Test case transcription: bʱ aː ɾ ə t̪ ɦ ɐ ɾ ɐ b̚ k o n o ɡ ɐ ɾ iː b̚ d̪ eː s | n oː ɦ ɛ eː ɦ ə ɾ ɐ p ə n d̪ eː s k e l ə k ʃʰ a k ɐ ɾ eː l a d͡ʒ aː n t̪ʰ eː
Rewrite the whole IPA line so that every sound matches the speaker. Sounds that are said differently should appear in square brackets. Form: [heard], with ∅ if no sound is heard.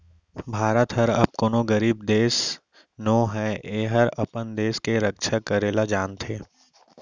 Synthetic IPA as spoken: bʱ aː ɾ ə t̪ ɦ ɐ ɾ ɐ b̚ k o n o ɡ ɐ ɾ iː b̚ d̪ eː s | n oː ɦ ɛ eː ɦ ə ɾ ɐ p ə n d̪ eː s k e [ɾ] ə k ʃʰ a k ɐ ɾ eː l a d͡ʒ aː n t̪ʰ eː